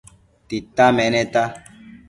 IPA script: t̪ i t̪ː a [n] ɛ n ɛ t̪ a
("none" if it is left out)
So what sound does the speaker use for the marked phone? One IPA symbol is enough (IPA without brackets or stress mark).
m